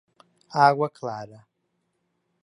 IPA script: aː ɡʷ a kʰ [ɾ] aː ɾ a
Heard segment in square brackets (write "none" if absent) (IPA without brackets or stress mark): l